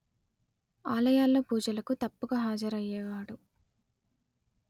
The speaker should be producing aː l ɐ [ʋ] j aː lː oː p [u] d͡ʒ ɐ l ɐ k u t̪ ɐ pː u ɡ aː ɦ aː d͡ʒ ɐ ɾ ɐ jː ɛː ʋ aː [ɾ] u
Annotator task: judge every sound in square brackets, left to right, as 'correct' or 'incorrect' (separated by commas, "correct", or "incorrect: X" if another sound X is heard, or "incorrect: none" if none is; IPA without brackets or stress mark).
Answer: incorrect: none, incorrect: uː, incorrect: ɽ